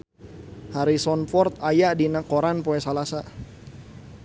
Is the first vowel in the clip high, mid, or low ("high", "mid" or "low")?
low